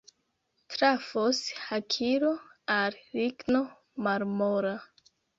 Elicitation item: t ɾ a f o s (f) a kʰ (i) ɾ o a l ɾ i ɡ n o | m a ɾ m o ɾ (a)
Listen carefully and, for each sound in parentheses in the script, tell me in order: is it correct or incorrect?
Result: incorrect: h, correct, correct

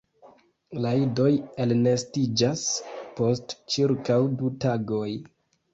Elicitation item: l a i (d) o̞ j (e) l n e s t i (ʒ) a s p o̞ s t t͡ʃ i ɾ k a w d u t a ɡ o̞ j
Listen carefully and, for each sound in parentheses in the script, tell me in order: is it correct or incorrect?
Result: correct, correct, incorrect: d͡ʒ

